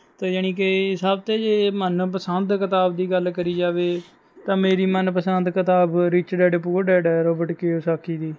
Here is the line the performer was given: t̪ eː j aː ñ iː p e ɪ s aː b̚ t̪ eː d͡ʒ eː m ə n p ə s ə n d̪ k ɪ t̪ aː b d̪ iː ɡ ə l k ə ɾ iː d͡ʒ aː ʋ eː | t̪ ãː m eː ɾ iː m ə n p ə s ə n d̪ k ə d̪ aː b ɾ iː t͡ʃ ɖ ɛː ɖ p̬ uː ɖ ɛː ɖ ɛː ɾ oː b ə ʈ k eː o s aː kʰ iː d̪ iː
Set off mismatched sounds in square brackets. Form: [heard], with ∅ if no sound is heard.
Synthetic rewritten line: t̪ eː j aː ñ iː [k] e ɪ s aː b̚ t̪ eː d͡ʒ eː m ə n p ə s ə n d̪ k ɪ t̪ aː b d̪ iː ɡ ə l k ə ɾ iː d͡ʒ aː ʋ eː | t̪ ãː m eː ɾ iː m ə n p ə s ə n d̪ k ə [t̪] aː b ɾ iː t͡ʃ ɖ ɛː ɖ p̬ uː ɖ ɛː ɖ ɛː ɾ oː b ə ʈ k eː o s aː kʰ iː d̪ iː